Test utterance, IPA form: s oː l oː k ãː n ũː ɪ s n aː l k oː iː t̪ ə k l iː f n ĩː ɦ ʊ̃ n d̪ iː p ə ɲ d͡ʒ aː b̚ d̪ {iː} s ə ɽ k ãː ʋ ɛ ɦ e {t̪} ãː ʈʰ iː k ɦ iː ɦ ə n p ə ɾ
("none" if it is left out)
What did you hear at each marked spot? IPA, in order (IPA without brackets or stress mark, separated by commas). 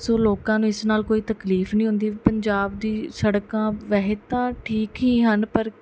iː, t̪